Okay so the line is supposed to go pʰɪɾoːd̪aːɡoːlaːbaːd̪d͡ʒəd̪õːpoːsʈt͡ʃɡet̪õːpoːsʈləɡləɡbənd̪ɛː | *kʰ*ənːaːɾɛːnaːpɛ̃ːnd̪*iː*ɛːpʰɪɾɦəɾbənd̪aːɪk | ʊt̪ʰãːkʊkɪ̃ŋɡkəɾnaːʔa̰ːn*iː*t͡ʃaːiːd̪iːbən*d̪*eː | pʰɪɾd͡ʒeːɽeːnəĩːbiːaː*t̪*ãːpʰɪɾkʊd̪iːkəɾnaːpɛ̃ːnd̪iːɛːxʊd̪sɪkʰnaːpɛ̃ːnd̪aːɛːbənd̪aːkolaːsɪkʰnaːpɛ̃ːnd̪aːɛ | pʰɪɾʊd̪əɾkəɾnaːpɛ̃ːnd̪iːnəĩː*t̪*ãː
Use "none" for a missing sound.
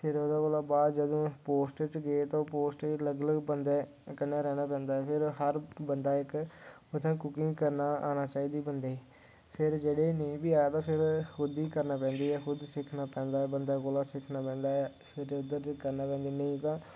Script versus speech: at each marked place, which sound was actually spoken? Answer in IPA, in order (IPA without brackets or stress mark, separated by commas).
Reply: k, aː, aː, d̪, t̪, t̪